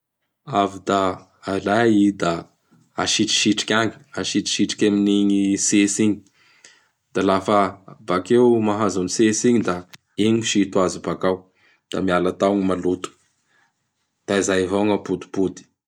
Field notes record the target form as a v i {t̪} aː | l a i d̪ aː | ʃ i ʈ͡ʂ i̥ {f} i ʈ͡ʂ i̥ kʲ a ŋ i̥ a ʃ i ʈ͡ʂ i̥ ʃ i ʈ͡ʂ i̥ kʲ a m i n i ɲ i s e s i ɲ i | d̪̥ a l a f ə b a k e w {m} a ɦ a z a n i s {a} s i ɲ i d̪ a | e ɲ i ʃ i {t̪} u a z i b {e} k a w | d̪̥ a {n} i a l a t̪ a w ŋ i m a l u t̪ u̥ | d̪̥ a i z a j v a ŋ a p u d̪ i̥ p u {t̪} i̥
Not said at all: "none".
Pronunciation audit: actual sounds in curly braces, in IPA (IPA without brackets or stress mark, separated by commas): d̪, ʃ, m, e, t̪, a, m, d̪